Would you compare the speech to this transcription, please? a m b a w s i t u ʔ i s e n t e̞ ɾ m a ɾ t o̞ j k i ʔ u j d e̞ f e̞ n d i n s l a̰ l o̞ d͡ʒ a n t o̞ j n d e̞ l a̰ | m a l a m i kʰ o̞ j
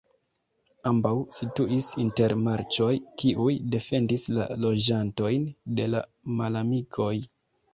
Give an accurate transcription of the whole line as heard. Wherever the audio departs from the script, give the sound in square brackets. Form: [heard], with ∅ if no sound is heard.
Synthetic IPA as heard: a m b a w s i t u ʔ i s [i] n t e̞ ɾ m a ɾ [t͡ʃ] o̞ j k i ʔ u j d e̞ f e̞ n d i [∅] s l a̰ l o̞ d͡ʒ a n t o̞ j n d e̞ l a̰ | m a l a m i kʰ o̞ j